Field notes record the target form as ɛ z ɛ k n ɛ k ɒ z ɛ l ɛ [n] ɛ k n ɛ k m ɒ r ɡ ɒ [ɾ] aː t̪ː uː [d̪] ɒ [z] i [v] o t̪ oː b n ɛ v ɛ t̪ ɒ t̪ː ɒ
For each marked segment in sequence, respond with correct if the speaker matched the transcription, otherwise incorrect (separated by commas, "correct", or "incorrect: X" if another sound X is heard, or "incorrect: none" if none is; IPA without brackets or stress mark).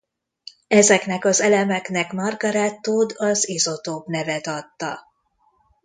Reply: incorrect: m, correct, correct, correct, incorrect: z